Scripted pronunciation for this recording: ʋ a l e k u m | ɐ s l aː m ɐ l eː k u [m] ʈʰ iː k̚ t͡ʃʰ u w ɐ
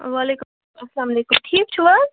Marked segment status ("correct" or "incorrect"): correct